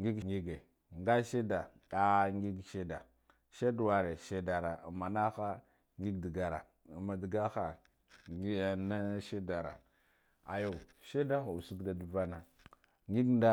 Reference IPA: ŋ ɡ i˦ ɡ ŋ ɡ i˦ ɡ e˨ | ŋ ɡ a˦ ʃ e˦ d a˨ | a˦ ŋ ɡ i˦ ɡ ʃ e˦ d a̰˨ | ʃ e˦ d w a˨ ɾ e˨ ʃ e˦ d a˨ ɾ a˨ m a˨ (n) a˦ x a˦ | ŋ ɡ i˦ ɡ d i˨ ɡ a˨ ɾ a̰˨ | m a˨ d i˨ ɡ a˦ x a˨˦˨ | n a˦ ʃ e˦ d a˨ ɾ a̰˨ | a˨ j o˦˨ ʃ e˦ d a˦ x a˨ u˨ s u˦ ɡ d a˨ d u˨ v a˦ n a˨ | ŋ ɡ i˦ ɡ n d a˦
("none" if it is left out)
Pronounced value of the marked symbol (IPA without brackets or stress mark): n